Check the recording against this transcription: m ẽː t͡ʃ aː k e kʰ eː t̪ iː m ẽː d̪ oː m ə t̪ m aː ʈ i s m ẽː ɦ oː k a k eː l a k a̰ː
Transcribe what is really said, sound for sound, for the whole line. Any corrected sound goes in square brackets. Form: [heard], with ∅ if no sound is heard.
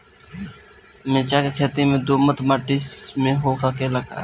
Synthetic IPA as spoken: m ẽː t͡ʃ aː k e kʰ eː t̪ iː m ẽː d̪ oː m ə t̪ m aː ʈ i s m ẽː ɦ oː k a k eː l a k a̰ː